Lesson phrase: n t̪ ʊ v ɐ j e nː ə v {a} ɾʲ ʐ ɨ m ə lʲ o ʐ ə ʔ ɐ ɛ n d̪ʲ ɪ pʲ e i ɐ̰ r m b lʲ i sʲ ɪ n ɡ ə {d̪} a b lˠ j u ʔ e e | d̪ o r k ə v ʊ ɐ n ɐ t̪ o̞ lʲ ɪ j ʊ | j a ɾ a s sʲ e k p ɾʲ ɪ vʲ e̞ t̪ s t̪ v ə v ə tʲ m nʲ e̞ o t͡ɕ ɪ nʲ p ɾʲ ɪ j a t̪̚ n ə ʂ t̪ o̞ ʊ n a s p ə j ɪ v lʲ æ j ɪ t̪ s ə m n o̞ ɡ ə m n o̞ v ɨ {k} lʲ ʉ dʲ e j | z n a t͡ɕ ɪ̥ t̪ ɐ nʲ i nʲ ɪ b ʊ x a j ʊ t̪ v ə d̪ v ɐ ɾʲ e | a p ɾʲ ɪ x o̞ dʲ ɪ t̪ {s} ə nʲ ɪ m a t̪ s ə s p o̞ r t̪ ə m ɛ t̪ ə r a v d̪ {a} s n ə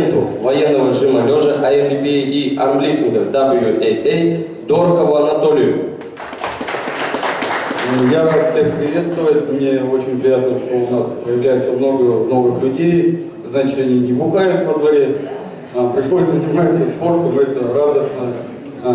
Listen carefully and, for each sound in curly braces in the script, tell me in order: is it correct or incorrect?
incorrect: ə, correct, incorrect: x, incorrect: z, incorrect: ə

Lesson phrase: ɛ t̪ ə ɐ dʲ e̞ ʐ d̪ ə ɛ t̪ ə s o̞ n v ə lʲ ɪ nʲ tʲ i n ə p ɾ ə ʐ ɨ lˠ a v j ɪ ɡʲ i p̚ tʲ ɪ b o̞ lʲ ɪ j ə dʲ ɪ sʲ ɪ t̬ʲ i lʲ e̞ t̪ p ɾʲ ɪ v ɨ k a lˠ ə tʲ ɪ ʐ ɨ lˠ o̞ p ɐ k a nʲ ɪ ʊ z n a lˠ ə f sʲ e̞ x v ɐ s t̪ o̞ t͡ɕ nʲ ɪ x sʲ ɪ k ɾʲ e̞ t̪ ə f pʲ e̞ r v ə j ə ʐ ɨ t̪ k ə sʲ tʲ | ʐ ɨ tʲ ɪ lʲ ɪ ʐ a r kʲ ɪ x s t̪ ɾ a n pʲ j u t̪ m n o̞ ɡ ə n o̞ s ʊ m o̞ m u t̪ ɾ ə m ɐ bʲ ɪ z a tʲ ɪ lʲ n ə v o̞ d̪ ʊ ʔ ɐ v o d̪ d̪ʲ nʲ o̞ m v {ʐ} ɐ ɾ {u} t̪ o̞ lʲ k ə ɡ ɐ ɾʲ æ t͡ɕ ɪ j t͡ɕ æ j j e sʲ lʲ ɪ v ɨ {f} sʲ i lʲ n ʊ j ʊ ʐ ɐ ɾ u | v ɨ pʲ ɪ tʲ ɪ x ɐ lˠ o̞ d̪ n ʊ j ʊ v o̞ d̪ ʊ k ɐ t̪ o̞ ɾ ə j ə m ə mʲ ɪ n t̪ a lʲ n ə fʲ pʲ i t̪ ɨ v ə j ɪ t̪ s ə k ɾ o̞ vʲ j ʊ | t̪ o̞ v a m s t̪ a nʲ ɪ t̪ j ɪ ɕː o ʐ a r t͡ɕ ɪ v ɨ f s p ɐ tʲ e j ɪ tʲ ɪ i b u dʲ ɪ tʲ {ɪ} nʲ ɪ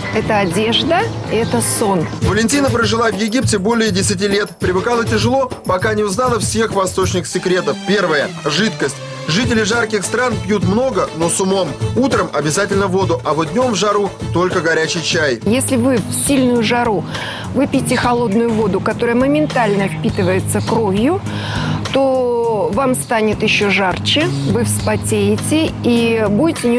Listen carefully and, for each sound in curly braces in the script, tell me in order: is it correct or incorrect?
correct, correct, correct, correct

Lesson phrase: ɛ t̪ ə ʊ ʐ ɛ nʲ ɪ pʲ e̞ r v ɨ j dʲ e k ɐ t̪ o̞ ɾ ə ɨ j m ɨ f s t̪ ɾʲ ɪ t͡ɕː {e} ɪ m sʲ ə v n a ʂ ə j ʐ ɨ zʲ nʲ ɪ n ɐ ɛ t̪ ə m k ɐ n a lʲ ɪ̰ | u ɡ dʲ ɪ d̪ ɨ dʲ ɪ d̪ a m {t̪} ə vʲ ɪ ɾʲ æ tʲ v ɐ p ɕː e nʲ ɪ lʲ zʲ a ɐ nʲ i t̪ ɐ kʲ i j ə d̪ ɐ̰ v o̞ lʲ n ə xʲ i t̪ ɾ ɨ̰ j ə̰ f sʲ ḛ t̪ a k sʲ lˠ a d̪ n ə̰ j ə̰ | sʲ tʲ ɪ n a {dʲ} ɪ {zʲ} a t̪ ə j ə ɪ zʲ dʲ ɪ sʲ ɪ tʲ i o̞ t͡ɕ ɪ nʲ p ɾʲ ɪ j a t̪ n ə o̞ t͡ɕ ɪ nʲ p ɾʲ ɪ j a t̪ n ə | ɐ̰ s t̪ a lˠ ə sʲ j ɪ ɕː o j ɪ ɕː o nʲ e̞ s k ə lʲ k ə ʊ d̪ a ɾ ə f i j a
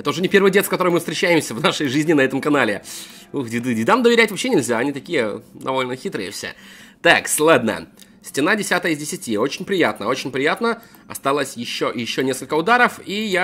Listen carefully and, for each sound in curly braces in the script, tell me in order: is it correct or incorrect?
incorrect: æ, incorrect: d̪, correct, incorrect: sʲ

